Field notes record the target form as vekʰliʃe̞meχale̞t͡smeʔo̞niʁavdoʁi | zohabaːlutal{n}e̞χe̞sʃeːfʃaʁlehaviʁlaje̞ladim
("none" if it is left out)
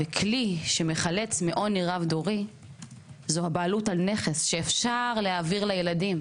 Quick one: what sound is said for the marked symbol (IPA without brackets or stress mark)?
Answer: n